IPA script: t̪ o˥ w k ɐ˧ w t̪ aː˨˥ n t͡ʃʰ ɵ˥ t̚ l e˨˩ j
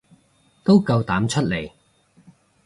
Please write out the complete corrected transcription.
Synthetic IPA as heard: t̪ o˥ w k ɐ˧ w t̪ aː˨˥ m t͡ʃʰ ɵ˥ t̚ l e˨˩ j